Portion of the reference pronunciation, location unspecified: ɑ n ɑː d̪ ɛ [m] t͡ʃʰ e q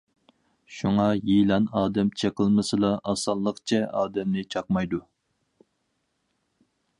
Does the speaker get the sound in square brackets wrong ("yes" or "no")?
no